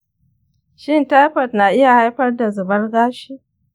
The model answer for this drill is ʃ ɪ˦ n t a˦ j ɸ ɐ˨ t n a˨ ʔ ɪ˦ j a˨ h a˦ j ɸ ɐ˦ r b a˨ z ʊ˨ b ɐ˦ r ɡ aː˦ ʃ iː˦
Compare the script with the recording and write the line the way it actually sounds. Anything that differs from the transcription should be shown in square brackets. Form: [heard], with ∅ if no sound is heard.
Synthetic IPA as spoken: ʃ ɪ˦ n t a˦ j ɸ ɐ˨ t n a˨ ʔ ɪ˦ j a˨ h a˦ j ɸ ɐ˦ r [d] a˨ z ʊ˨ b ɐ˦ r ɡ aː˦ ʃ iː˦